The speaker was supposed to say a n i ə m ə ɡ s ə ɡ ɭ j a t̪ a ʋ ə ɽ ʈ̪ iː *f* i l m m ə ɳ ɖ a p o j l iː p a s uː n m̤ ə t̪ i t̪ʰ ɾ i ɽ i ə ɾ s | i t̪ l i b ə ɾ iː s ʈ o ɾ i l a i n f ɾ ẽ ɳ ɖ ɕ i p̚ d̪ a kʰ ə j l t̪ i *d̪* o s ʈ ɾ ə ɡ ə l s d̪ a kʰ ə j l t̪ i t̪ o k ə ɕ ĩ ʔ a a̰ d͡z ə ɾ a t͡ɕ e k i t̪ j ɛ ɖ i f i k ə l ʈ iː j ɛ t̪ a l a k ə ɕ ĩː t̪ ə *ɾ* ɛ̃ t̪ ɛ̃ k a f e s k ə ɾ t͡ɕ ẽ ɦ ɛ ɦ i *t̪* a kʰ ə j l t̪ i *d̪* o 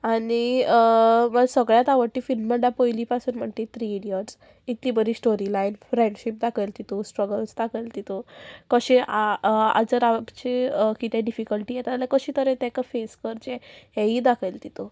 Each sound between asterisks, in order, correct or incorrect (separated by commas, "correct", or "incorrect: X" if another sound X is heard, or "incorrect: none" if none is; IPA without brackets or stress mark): correct, incorrect: t̪, correct, incorrect: d̪, incorrect: t̪